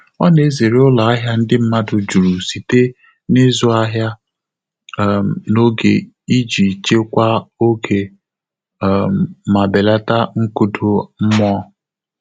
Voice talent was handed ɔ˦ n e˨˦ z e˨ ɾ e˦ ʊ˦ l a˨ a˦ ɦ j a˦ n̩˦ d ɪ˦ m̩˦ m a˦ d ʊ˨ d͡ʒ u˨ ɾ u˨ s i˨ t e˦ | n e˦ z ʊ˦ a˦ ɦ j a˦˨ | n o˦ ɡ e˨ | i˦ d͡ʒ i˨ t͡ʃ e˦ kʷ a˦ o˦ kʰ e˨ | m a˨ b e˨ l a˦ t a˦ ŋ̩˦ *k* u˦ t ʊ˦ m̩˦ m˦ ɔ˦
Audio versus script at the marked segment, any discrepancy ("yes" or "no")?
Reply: no